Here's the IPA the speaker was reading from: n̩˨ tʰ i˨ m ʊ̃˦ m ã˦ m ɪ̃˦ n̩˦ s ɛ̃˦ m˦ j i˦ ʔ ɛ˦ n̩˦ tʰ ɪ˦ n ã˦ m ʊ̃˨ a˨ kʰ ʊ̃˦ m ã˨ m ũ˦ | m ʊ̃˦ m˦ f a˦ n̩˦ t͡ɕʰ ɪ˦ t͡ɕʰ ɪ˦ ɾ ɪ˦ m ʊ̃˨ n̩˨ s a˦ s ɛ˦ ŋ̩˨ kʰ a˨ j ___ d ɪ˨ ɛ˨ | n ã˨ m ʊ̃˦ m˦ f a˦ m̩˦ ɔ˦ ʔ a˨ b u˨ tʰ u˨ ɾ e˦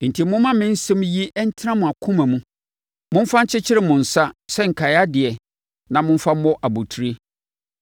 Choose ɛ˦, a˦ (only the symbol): a˦